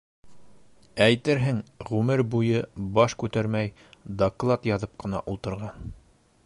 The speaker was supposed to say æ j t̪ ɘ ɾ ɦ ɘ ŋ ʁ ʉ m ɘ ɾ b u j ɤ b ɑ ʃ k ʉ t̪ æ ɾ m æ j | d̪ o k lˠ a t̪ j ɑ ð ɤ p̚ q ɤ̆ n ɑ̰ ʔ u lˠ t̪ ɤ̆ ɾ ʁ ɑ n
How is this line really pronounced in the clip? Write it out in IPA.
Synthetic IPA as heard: æ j t̪ ɘ ɾ ɦ ɘ ŋ ʁ ʉ m ɘ ɾ b u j ɤ b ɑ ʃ k ʉ t̪ æ ɾ m æ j | d̪ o k lˠ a t̪ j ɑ ð ɤ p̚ q ɤ̆ n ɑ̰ ʔ u lˠ t̪ ɤ̆ ɾ ʁ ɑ n